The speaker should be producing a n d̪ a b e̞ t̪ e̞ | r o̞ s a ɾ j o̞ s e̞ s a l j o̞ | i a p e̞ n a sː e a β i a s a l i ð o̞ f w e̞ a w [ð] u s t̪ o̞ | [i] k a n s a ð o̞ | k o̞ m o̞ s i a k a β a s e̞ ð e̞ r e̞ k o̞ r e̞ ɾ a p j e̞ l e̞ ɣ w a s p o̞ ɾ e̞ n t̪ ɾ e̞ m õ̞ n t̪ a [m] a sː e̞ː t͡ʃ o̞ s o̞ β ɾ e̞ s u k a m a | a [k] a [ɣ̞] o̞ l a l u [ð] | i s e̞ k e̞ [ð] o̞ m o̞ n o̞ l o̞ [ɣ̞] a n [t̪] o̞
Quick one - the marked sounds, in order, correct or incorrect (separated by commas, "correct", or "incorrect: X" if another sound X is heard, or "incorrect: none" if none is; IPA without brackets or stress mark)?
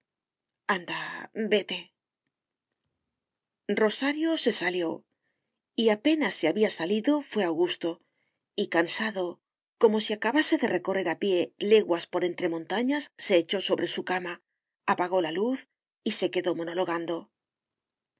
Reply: incorrect: ɣ, correct, incorrect: ɲ, incorrect: p, correct, incorrect: θ, correct, correct, incorrect: d̪